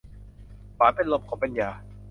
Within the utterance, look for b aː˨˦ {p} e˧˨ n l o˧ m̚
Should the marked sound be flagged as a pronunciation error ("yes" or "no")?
no